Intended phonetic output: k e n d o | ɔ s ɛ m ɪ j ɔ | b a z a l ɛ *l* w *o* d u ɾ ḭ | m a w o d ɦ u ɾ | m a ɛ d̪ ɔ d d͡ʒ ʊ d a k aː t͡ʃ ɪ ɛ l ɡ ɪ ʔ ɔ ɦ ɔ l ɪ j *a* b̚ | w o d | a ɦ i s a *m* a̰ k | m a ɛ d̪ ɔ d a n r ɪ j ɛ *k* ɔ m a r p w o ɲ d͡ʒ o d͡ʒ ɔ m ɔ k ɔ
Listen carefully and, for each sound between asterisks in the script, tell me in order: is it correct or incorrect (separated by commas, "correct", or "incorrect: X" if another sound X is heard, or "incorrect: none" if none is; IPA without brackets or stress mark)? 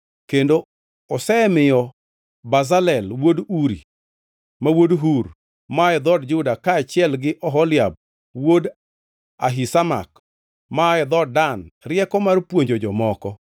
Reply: correct, correct, correct, correct, correct